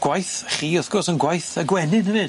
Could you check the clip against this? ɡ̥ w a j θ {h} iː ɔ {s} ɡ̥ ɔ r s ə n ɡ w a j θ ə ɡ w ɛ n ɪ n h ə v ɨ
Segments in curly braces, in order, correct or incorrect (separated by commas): incorrect, incorrect